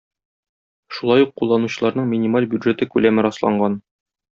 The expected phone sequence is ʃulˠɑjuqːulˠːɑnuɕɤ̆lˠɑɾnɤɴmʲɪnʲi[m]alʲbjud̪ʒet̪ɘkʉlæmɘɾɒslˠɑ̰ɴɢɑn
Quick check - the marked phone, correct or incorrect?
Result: correct